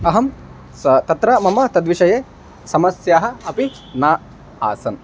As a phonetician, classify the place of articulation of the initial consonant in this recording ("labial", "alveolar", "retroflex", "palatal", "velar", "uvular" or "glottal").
glottal